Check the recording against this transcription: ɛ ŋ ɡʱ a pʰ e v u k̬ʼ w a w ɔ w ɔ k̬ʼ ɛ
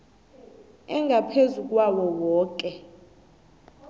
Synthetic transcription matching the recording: ɛ ŋ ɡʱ a pʰ e z u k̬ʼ w a w ɔ w ɔː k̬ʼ ɛ